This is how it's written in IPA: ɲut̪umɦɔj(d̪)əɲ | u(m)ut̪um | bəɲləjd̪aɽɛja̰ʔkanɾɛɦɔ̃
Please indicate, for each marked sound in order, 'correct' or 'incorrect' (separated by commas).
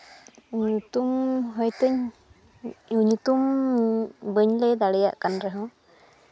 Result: incorrect, incorrect